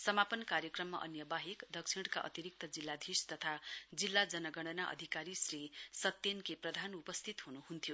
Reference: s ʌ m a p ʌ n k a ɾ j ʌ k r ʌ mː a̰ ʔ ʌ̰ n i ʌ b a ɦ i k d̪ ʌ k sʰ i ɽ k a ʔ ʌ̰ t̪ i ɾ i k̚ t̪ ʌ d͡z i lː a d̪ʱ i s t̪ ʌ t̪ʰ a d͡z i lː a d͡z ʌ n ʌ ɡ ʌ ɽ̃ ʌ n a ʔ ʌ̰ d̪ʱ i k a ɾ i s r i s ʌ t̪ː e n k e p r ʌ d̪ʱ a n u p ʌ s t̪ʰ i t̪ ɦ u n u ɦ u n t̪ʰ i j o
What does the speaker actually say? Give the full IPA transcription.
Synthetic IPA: s ʌ m a p ʌ n k a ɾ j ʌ k r ʌ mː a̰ ʔ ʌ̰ n j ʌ b a ɦ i k d̪ ʌ k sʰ i ɽ k a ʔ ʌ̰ t̪ i ɾ i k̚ t̪ ʌ d͡z i lː a d̪ʱ i s t̪ ʌ t̪ʰ a d͡z i lː a d͡z ʌ n ʌ ɡ ʌ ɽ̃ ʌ n a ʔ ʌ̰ d̪ʱ i k a ɾ i s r i s ʌ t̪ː e n k e p r ʌ d̪ʱ a n u p ʌ s t̪ʰ i t̪ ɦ u n u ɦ u n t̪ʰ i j o

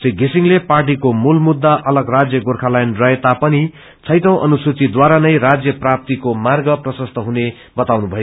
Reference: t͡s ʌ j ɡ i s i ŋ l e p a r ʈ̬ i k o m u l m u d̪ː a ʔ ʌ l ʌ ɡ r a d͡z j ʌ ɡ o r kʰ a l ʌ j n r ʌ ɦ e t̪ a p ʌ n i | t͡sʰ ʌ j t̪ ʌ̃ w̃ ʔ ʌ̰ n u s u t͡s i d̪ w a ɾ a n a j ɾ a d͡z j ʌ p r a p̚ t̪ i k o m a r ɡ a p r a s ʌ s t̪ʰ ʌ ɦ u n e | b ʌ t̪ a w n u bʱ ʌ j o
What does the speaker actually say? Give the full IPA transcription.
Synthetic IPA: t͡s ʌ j ɡ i s i ŋ l e p a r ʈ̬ i k o m u l m u d̪ː a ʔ ʌ l ʌ ɡ r a d͡z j ʌ ɡ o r kʰ a l a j n r ʌ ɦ e t̪ a p ʌ n i | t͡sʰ ʌ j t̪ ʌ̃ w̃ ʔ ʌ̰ n u s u t͡s i d̪ w a ɾ a n ʌ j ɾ a d͡z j ʌ p r a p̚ t̪ i k o m a r ɡ ʌ p r ʌ s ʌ s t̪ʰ ʌ ɦ u n e | b ʌ t̪ a w n u bʱ ʌ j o

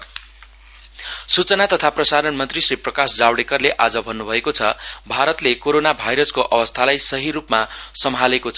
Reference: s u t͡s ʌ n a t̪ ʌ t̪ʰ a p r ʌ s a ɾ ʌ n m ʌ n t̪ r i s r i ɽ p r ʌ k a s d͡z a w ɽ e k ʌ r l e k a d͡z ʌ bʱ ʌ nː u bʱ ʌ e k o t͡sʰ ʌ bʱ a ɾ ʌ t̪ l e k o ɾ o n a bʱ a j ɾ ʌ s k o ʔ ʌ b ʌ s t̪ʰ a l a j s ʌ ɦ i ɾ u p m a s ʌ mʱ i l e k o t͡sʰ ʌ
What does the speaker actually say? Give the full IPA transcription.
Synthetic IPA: s u t͡s ʌ n a t̪ ʌ t̪ʰ a p r ʌ s a ɾ ʌ n m ʌ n t̪ r i s r i p r ʌ k a s d͡z a w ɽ e k ʌ r l e ʔ a d͡z ʌ bʱ ʌ nː u bʱ ʌ e k o t͡sʰ ʌ bʱ a ɾ ʌ t̪ l e k o ɾ o n a bʱ a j ɾ ʌ s k o ʔ ʌ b ʌ s t̪ʰ a l a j s ʌ ɦ i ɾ u p m a s ʌ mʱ a l e k o t͡sʰ ʌ

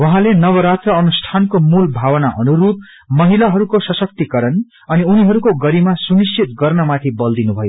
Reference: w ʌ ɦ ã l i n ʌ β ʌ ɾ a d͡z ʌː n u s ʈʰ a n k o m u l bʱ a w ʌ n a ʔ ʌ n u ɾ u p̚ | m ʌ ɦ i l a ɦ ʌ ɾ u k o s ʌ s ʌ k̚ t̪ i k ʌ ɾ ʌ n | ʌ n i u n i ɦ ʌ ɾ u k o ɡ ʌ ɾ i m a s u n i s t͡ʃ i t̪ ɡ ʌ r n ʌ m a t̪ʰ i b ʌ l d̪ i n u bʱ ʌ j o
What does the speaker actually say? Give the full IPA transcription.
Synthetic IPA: w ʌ ɦ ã l e n ʌ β ʌ ɾ a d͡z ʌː n u s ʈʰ a n k o m u l bʱ a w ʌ n a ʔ ʌ n u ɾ u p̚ | m ʌ ɦ i l a ɦ ʌ ɾ u k o s ʌ s ʌ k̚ t̪ i k ʌ ɾ ʌ n | ʌ n i u n i ɦ ʌ ɾ u k o ɡ ʌ ɾ i m a s u n i s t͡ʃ i t̪ ɡ ʌ r n ʌ m a t̪ʰ i b ʌ l d̪ i n u bʱ ʌ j o

